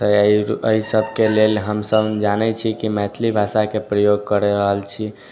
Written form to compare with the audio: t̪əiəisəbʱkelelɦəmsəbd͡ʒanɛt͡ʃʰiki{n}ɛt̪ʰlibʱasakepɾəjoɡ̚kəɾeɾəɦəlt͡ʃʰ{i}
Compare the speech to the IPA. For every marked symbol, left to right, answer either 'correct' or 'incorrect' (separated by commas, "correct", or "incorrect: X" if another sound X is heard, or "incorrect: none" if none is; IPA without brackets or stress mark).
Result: incorrect: m, correct